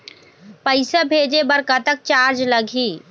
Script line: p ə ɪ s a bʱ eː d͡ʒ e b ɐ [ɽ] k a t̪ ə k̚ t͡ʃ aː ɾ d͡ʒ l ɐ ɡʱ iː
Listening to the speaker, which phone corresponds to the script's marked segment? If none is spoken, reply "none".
ɾ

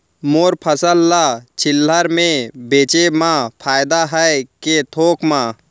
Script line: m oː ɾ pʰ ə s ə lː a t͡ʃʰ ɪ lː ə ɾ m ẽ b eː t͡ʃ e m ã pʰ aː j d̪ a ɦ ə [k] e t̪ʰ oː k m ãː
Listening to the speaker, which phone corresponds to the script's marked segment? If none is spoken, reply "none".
k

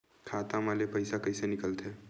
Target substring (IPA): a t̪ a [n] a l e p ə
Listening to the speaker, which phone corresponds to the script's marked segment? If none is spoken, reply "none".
m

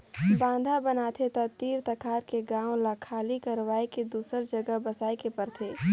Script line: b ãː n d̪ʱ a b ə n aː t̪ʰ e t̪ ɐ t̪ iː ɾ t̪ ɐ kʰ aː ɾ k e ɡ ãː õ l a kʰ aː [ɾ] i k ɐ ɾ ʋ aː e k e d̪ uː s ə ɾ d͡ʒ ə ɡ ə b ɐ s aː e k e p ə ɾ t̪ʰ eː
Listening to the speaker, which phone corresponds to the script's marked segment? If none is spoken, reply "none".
l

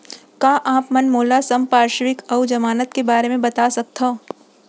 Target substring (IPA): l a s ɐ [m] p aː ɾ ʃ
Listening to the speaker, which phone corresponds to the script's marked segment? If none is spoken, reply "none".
m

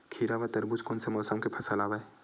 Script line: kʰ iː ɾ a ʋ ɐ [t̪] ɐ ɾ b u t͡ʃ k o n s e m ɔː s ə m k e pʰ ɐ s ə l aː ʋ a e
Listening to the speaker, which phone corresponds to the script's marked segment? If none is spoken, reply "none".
t̪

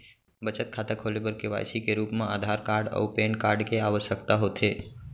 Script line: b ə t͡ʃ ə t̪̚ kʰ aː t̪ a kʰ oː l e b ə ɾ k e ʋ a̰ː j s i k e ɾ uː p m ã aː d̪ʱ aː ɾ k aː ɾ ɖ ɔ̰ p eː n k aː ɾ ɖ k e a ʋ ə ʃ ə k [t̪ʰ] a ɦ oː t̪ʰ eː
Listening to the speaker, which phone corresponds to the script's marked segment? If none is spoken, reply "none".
t̪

